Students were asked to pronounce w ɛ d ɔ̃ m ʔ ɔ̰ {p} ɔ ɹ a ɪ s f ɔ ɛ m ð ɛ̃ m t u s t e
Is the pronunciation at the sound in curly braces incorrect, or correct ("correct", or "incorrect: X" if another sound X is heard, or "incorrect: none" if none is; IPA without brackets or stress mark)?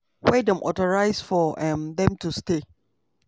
incorrect: t